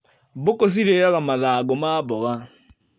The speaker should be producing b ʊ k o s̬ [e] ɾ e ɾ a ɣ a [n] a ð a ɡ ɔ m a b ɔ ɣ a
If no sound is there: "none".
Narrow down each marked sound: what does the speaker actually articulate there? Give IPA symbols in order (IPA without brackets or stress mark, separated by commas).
i, m